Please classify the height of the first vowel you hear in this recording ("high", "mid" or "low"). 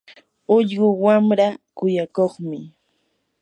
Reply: high